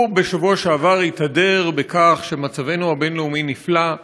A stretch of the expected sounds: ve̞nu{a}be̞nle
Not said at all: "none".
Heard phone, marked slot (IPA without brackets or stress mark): a